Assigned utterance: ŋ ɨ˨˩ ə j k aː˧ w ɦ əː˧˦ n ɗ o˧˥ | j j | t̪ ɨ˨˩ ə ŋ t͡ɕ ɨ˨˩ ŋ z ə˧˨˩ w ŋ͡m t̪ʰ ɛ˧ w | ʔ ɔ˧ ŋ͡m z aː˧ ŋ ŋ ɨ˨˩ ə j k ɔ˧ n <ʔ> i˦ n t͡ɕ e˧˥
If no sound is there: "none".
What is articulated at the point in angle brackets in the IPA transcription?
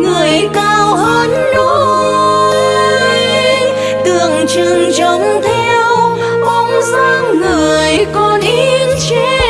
ʔ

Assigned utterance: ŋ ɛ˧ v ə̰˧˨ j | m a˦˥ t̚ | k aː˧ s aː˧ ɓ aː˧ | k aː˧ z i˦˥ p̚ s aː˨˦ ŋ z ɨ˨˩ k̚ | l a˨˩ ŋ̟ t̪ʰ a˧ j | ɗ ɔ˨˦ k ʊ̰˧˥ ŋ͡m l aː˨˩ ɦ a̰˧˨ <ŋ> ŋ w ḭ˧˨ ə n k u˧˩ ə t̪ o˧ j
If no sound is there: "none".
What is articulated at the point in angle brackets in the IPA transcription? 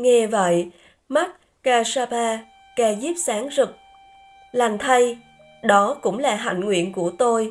ŋ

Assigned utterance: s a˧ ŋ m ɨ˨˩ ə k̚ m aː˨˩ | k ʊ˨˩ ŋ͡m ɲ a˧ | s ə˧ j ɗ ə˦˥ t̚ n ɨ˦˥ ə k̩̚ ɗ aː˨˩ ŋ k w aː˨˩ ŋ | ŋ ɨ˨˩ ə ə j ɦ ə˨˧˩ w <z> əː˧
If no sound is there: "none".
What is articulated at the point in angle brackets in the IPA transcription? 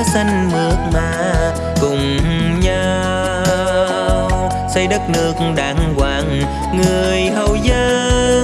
z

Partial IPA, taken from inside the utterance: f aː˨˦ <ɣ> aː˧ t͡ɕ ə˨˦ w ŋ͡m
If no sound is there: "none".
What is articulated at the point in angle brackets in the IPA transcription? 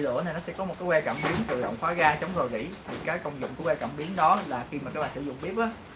ɣ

